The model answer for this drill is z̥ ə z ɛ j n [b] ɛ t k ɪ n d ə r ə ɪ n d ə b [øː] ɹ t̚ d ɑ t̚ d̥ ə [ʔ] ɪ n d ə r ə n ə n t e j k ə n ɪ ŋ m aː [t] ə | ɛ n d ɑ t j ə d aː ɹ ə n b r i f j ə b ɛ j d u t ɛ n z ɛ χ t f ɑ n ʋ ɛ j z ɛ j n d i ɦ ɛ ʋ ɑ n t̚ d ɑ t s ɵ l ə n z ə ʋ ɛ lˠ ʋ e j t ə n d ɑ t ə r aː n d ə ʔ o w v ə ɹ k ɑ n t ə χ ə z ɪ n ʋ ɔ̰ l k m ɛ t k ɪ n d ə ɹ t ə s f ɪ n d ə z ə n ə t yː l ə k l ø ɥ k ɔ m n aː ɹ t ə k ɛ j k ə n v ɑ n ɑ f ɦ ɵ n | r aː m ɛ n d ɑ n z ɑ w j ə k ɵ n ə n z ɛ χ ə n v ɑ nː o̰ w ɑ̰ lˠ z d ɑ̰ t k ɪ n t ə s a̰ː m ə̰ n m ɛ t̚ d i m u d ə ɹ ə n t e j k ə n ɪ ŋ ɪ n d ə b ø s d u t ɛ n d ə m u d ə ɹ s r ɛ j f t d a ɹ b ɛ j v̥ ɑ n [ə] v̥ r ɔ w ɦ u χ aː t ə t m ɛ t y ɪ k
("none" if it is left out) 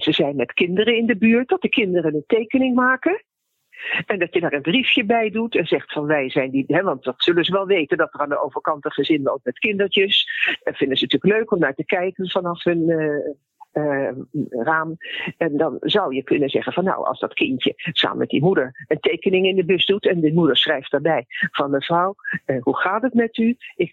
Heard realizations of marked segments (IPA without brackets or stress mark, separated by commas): m, yː, k, k, ə